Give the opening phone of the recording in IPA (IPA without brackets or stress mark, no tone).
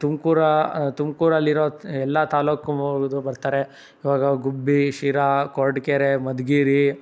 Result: t̪